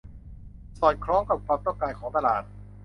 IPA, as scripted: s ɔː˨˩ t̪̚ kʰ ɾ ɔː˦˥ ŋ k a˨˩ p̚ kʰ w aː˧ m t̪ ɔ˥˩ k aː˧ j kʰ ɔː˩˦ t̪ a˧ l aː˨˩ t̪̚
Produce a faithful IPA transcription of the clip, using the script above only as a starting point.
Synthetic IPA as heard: s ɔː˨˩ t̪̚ kʰ ɾ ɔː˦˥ ŋ k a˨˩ p̚ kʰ w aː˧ m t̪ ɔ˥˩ k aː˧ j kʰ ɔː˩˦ t̪ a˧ l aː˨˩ t̪̚